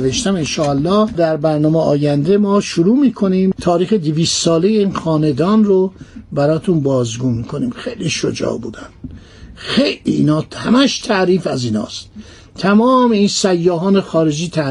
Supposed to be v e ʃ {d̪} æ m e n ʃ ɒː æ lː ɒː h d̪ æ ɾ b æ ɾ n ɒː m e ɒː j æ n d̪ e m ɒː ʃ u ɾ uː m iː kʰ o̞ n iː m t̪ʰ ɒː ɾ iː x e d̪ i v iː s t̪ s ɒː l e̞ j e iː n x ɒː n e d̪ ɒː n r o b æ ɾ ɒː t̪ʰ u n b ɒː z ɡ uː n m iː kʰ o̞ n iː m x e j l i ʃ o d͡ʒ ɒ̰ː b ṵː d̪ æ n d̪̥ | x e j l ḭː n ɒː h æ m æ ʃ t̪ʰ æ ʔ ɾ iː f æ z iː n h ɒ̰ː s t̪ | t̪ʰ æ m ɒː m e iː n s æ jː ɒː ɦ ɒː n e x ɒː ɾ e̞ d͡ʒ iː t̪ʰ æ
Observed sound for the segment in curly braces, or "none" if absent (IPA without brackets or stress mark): t̪